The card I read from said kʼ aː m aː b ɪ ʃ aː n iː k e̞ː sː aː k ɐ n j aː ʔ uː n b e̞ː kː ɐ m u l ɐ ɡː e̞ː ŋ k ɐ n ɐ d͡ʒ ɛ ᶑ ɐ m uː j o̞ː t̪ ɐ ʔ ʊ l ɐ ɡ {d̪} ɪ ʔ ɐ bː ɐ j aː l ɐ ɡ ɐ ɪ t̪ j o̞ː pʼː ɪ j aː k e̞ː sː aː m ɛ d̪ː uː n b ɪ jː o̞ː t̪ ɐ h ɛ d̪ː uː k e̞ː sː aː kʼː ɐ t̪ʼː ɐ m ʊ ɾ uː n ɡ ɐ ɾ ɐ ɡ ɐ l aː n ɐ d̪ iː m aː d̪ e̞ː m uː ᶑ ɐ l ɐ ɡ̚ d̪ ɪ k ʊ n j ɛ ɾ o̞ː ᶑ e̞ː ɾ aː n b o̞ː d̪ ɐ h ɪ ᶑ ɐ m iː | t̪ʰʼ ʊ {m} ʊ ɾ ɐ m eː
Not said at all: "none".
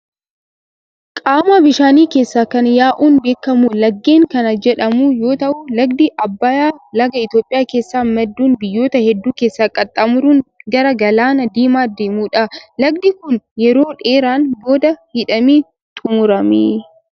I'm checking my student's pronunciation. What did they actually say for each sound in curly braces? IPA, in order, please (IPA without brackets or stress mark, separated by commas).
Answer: d̪, m